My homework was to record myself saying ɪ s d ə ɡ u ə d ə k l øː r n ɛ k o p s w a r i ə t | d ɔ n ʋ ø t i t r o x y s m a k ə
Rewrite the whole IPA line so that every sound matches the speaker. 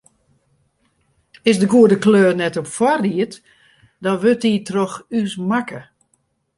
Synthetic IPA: ɪ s d ə ɡ u ə d ə k l øː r n ɛ t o p f w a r i ə t | d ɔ n ʋ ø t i t r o x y s m a k ə